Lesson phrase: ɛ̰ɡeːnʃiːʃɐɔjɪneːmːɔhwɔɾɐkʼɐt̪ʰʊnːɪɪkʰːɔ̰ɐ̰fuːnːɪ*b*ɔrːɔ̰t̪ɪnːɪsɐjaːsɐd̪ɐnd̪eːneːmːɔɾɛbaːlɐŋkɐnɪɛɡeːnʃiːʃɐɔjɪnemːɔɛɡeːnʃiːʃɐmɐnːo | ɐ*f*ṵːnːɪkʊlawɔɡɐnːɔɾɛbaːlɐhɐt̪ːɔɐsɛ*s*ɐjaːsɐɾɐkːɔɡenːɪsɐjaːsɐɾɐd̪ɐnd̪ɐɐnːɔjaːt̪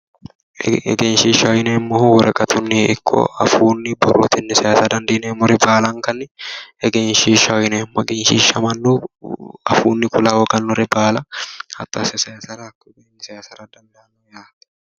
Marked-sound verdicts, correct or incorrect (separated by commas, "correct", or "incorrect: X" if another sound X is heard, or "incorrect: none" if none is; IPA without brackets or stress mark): correct, correct, correct